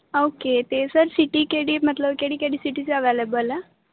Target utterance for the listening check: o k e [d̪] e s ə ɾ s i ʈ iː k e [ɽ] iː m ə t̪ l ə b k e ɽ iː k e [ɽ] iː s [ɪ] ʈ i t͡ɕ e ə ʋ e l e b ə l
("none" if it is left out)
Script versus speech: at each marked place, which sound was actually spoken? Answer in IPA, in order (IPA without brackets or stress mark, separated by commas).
t̪, ɽ, ɽ, i